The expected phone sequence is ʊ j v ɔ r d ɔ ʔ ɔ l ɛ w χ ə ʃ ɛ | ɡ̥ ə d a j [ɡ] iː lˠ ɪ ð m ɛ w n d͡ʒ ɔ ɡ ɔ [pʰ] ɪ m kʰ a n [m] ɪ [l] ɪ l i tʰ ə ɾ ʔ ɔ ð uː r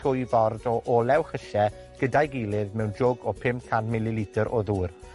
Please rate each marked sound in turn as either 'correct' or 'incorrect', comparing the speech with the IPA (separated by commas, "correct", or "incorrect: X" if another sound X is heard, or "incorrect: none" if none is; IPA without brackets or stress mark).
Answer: correct, correct, correct, correct